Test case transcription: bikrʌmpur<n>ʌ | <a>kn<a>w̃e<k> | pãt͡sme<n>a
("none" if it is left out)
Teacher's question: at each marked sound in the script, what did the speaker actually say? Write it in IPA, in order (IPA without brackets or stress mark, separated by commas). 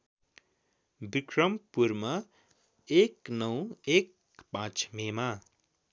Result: m, e, ʌ, k, m